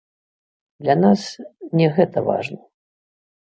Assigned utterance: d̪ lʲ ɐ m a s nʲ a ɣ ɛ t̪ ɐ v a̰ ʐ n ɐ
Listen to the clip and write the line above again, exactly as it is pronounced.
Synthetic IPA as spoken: d̪ lʲ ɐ n a s nʲ ɛ ɣ ɛ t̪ ɐ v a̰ ʐ n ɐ